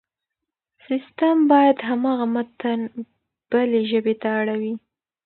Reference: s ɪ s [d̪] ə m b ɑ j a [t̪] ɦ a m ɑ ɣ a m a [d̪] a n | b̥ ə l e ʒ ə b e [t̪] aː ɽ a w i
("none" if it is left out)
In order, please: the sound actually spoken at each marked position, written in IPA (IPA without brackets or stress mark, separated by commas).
t̪, d̪, t̪, t̪